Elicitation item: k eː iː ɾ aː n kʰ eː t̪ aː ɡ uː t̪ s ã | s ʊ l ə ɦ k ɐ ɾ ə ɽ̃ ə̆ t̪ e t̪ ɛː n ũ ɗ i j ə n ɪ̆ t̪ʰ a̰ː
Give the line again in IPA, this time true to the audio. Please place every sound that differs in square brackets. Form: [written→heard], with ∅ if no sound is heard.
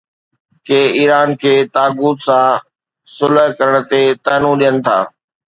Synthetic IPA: k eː iː ɾ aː n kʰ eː t̪ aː ɡ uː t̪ s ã | s ʊ l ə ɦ k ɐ ɾ ə ɽ̃ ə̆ t̪ e t̪ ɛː n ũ ɗ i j ə n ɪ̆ t̪ʰ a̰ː